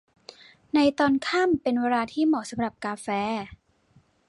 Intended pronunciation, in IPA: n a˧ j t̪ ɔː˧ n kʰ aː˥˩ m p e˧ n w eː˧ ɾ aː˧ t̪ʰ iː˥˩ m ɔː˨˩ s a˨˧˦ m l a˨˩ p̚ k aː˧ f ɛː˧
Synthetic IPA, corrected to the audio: n a˧ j t̪ ɔː˧ n kʰ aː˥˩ m p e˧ n w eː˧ ɾ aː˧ t̪ʰ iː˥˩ m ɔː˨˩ s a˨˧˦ m ɾ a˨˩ p̚ k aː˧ f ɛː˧